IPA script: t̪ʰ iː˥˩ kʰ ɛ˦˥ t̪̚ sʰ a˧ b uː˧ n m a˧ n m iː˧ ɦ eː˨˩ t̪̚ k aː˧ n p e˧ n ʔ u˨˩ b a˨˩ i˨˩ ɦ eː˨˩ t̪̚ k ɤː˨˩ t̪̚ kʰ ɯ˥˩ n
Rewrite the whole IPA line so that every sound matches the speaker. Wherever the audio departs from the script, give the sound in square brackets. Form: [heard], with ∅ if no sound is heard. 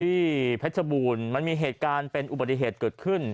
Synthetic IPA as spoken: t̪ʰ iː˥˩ [pʰ] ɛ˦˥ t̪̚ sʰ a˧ b uː˧ n m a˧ n m iː˧ ɦ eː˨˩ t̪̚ k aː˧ n p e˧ n ʔ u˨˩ b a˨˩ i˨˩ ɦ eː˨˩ t̪̚ k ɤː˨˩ t̪̚ kʰ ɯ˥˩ n